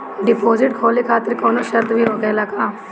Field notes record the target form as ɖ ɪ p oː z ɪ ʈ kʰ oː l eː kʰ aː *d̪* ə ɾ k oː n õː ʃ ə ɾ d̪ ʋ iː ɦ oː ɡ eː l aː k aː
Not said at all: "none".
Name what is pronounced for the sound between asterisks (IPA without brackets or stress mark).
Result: t̪